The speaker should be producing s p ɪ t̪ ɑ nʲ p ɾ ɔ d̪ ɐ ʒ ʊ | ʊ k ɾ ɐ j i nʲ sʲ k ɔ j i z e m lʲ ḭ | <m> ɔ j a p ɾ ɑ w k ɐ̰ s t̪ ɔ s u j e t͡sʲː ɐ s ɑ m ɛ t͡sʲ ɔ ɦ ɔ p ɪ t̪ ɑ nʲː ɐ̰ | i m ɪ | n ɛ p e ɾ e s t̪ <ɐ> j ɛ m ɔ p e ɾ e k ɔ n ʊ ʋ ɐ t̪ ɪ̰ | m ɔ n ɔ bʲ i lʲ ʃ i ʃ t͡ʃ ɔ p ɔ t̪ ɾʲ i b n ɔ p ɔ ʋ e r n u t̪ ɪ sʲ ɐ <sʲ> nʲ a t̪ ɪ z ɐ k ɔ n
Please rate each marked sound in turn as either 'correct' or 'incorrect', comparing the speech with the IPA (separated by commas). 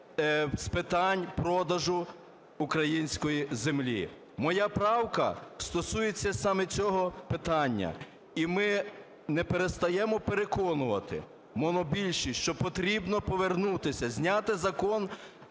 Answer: correct, correct, incorrect